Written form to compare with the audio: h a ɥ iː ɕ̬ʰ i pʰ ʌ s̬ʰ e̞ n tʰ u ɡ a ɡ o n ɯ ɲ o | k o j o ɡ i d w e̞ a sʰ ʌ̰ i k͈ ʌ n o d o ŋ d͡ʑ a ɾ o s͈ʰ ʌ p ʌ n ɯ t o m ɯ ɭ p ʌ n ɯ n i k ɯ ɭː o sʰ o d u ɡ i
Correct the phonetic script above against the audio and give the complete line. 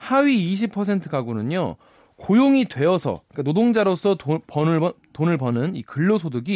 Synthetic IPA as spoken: h a ɥ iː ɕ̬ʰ i pʰ ʌ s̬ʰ e̞ n tʰ ɯ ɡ a ɡ o n ɯ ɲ o | k o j o ŋ i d w e̞ ʌ sʰ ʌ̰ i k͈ a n o d o ŋ d͡ʑ a ɾ o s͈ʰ ʌ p ʌ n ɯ t o n ɯ ɭ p ʌ n ɯ n i k ɯ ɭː o sʰ o d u ɡ i